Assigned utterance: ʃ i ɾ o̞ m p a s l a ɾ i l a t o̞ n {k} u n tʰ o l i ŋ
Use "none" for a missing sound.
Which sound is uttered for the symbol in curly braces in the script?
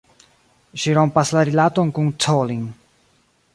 k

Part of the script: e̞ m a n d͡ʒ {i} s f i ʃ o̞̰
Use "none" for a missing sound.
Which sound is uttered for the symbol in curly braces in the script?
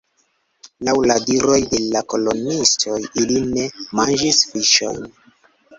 i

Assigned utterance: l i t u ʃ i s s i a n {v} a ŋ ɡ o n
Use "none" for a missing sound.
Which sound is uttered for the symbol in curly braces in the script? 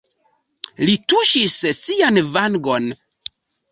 v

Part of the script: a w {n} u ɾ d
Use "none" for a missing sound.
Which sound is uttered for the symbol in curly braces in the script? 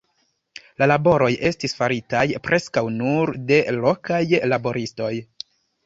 n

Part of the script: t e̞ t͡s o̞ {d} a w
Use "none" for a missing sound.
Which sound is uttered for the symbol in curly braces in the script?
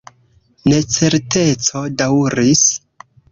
d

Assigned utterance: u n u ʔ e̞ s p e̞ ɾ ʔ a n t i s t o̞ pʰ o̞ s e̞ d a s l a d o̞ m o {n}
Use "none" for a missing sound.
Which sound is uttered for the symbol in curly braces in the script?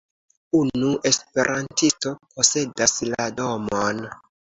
n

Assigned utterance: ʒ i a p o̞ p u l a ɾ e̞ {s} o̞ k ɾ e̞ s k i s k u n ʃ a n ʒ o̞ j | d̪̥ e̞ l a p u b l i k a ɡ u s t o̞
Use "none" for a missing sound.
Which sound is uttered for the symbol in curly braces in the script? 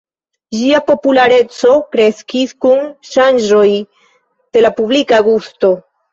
t͡s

